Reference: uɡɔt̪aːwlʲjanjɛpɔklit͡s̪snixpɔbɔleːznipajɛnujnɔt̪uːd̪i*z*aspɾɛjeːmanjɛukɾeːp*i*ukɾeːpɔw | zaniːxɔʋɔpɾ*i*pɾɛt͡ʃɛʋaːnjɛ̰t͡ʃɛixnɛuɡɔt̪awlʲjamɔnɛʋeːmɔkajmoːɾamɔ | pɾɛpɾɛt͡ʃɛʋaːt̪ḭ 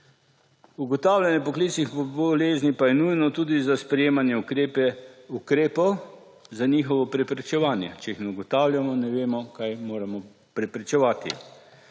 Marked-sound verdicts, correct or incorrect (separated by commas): correct, incorrect, incorrect